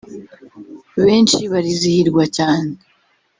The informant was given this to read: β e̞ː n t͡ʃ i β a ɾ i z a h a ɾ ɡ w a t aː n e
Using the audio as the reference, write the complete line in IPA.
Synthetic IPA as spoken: β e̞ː n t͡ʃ i β a ɾ i z i h i ɾ ɡ w a c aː n e